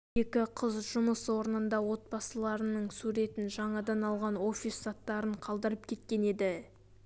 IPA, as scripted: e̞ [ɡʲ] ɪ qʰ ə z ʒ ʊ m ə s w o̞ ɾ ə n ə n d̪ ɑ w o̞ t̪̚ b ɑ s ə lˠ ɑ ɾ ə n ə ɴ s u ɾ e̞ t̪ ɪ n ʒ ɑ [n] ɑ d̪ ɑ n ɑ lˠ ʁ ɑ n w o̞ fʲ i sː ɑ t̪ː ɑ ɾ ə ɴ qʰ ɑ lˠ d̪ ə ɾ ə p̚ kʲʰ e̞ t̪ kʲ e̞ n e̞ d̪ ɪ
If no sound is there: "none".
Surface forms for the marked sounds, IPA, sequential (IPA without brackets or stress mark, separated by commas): kʲ, ɴ